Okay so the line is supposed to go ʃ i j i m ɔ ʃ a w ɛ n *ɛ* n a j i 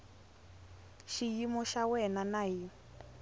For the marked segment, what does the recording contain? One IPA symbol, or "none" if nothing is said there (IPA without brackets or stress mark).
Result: a